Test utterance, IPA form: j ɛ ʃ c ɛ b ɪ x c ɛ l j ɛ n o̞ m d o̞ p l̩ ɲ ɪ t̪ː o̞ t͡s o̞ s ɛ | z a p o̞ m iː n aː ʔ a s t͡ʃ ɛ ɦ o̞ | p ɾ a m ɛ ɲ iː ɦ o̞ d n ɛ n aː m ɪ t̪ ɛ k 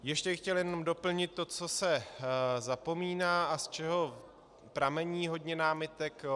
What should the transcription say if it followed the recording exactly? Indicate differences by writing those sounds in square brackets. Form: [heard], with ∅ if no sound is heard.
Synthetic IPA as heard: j ɛ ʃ c ɛ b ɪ x c ɛ l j ɛ n o̞ m d o̞ p l̩ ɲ ɪ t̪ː o̞ t͡s o̞ s ɛ | z a p o̞ m iː n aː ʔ a s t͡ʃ ɛ ɦ o̞ | p ɾ a m ɛ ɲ iː ɦ o̞ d [ɲ] ɛ n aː m ɪ t̪ ɛ k